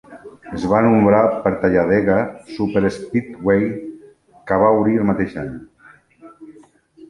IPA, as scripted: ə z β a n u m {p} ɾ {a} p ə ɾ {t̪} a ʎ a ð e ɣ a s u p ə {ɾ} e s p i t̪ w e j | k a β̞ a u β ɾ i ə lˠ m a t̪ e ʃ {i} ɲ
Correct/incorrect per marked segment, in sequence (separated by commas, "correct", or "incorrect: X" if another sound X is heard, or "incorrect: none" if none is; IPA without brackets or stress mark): incorrect: b, correct, correct, correct, incorrect: a